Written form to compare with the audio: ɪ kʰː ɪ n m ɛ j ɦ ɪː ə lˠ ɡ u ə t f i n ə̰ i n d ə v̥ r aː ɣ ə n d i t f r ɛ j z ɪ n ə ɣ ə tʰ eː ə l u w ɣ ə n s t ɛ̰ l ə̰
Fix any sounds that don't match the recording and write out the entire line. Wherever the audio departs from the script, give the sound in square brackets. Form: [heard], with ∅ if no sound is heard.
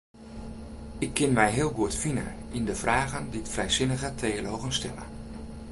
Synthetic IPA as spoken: ɪ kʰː ɪ n m ɛ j ɦ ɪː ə lˠ ɡ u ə t f i n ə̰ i n d ə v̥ r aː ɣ ə n d i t f r ɛ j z ɪ n ə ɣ ə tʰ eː ə l [o] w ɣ ə n s t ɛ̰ l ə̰